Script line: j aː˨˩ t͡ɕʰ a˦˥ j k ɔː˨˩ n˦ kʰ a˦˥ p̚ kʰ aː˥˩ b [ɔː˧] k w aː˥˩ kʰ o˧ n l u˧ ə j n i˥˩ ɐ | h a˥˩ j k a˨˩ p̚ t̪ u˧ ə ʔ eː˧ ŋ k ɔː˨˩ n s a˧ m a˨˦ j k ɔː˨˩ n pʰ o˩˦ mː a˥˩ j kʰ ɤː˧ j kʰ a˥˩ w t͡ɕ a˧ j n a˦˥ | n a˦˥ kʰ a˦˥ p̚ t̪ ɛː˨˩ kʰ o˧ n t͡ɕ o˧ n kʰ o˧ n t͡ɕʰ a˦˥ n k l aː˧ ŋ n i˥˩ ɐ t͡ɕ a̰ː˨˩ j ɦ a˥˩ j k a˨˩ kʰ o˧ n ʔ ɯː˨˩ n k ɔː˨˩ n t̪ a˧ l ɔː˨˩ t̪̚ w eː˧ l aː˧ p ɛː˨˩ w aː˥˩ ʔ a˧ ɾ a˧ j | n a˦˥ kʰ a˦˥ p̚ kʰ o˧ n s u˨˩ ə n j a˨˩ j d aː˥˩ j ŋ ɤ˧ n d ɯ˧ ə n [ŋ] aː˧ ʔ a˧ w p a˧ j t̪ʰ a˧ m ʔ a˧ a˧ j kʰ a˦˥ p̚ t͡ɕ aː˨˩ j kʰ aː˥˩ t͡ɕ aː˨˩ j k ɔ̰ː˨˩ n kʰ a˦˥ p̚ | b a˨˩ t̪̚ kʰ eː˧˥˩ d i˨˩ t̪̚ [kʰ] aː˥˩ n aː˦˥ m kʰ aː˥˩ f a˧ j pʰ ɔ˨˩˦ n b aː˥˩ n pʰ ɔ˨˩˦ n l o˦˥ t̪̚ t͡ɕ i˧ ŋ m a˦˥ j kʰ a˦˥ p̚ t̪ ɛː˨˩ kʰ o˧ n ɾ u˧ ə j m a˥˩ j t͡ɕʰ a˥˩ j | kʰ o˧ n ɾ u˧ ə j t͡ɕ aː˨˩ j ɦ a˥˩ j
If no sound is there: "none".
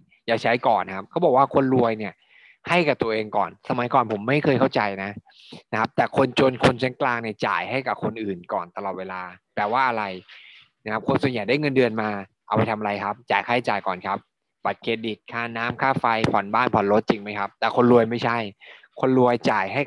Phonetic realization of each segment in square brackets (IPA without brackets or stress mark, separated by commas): ɔː˨˩, m, kʰ